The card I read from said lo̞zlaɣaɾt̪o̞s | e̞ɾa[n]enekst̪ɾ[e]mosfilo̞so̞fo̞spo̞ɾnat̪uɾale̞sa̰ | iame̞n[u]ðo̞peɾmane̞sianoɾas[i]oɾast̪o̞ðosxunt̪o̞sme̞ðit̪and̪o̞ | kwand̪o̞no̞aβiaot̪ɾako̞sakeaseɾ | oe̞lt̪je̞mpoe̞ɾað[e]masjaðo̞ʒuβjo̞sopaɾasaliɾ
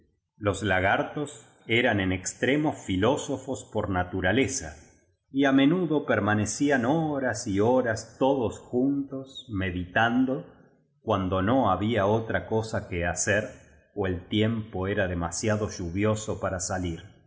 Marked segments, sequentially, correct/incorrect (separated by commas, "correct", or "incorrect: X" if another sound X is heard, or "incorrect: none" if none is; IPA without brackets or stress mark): correct, correct, correct, correct, correct